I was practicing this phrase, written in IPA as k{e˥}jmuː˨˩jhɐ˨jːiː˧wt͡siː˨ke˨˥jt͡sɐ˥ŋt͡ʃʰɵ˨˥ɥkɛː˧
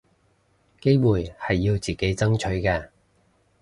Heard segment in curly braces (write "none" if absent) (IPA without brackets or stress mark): e˥